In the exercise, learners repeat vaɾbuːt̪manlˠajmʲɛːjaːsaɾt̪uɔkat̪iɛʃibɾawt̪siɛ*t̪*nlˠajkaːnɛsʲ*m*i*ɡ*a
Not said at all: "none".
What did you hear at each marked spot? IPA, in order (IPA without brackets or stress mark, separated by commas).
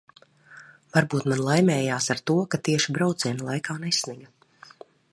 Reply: none, n, ɡ